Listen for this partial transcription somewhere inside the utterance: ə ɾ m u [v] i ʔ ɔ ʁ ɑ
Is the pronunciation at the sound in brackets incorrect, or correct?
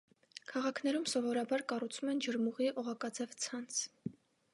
incorrect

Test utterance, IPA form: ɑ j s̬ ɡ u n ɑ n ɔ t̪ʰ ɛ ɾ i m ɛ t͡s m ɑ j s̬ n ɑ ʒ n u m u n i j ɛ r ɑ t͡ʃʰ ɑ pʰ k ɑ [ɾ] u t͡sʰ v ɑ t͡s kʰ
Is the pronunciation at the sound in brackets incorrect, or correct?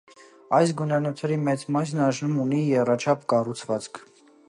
incorrect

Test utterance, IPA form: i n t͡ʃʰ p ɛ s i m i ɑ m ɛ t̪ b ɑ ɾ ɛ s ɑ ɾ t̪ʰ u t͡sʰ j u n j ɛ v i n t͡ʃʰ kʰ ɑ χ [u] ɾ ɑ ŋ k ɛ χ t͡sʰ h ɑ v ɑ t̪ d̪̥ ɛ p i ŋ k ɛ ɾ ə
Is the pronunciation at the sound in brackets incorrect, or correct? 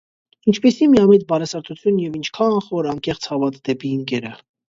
incorrect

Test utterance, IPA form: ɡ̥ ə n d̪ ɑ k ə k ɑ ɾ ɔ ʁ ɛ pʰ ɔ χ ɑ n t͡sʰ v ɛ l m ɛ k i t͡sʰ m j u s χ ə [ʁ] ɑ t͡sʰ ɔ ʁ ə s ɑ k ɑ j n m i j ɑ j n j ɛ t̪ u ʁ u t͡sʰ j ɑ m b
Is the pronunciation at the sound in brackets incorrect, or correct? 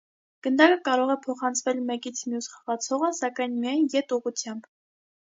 correct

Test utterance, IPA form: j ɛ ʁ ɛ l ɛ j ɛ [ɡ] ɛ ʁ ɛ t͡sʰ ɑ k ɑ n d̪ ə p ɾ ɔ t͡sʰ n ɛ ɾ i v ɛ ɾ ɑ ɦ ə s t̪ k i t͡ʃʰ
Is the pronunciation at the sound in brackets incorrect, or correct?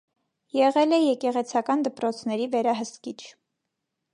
incorrect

